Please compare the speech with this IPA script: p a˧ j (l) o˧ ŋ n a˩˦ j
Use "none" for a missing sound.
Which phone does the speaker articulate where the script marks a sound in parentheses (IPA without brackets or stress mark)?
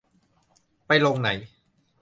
l